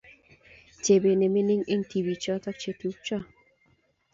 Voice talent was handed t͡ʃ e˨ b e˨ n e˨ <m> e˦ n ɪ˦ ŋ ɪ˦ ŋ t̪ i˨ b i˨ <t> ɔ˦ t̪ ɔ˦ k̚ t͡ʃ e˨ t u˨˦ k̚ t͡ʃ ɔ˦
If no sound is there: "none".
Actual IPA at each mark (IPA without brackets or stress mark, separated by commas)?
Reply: m, t͡ʃ